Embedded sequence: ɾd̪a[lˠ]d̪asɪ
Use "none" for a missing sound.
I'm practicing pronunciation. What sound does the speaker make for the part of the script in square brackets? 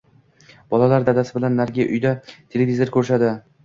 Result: none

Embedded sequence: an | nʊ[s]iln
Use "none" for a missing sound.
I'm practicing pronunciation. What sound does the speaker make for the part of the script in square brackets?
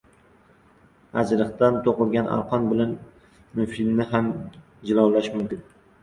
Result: f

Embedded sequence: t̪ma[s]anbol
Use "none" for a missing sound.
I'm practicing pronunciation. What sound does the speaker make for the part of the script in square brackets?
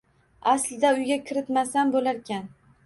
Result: s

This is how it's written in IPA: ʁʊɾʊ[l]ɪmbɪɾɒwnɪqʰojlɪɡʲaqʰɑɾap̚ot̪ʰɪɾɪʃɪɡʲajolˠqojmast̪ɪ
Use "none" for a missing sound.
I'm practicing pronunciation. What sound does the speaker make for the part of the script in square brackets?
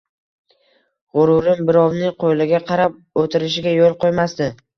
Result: ɾ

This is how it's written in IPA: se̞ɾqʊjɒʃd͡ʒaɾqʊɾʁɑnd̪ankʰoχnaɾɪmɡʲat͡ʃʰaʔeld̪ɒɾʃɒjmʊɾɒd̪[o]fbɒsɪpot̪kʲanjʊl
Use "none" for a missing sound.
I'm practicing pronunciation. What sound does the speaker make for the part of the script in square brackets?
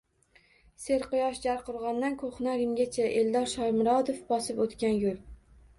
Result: o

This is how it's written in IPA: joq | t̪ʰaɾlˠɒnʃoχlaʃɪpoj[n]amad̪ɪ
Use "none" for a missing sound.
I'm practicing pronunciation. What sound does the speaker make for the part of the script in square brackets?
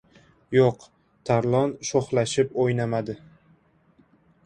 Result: n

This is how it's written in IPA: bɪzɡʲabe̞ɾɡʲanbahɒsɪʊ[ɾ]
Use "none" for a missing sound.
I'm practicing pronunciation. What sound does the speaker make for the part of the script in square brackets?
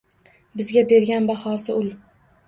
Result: l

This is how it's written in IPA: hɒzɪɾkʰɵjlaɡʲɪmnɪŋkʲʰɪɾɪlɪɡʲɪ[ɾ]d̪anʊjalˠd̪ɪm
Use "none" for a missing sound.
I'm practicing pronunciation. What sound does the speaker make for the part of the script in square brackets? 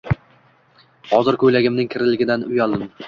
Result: none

